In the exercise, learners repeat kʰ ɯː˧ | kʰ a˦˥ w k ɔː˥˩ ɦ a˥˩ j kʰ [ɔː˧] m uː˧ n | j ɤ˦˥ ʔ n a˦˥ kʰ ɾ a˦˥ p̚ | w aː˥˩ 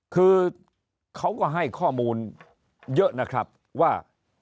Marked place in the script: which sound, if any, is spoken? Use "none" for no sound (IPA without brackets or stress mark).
ɔː˥˩